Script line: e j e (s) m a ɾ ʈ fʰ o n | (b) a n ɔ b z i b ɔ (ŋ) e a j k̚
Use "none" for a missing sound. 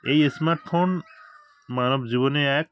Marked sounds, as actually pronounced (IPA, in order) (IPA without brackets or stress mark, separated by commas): s, m, n